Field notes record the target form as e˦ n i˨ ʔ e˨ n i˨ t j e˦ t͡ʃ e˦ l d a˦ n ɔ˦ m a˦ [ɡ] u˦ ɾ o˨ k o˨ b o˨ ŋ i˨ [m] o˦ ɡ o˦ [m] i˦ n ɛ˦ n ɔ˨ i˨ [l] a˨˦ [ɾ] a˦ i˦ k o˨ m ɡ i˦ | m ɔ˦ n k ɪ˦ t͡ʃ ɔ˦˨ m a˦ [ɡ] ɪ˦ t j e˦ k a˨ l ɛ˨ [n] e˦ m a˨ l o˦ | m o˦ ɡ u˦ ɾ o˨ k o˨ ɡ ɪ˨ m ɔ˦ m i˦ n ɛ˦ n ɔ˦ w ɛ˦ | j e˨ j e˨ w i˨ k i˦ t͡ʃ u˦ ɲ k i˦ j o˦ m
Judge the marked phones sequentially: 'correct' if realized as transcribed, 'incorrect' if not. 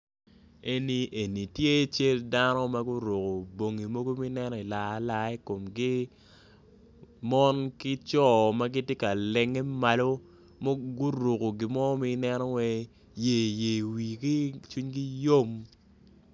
correct, correct, correct, correct, incorrect: l, correct, incorrect: ŋ

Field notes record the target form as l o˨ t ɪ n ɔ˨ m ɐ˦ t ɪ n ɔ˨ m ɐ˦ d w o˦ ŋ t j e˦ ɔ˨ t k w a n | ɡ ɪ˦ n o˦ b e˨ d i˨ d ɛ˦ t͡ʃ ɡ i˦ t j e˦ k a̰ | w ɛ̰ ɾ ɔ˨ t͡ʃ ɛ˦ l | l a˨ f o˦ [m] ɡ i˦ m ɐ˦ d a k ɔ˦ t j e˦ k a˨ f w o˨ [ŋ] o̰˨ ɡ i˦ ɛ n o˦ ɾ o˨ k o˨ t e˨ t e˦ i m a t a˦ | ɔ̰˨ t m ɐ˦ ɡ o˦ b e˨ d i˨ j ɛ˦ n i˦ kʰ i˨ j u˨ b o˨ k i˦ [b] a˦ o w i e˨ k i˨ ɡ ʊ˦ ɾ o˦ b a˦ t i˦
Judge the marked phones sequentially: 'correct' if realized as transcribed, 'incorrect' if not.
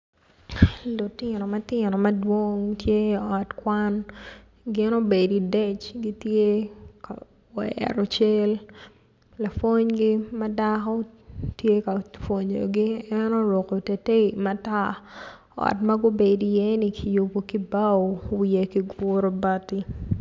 incorrect: ɲ, incorrect: ɲ, correct

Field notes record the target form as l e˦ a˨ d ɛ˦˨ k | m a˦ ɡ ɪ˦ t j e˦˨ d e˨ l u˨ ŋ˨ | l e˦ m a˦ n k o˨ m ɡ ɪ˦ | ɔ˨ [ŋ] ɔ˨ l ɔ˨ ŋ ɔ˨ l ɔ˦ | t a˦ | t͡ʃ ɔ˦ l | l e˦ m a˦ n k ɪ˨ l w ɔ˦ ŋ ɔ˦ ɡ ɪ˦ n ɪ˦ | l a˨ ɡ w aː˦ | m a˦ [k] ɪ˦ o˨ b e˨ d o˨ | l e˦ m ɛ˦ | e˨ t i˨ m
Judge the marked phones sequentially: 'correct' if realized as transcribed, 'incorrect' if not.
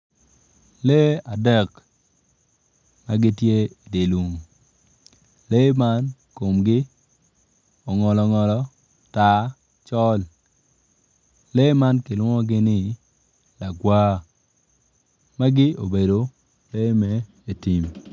correct, incorrect: ɡ

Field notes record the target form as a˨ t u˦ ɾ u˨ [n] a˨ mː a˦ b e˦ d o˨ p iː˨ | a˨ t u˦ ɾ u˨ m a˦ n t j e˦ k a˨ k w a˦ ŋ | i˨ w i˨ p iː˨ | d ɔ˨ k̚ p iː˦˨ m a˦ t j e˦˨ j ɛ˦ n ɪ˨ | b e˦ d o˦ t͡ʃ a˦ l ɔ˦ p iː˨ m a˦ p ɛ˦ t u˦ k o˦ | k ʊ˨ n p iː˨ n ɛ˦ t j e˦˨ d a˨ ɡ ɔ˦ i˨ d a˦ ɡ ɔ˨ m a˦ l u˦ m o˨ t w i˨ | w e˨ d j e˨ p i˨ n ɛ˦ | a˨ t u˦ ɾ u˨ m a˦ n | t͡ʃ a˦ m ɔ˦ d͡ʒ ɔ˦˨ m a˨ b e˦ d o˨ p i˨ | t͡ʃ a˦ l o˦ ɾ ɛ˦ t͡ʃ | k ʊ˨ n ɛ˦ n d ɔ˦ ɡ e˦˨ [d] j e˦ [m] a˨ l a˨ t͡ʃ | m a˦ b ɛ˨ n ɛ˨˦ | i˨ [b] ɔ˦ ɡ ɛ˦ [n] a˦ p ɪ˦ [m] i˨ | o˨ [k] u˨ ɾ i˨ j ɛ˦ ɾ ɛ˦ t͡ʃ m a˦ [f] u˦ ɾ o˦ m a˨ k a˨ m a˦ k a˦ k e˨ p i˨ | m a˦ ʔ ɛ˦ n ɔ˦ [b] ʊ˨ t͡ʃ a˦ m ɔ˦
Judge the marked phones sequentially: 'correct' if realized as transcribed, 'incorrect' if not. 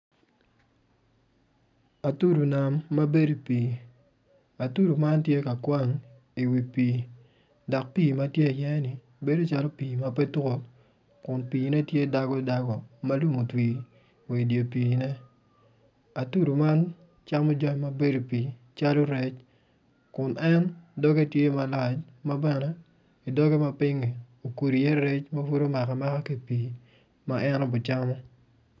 correct, incorrect: t, correct, incorrect: d, incorrect: m, incorrect: ŋ, correct, correct, correct

